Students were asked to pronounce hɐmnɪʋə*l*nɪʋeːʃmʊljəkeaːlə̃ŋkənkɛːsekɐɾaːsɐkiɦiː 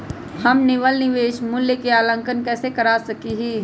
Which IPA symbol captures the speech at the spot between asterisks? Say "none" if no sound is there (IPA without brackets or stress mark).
l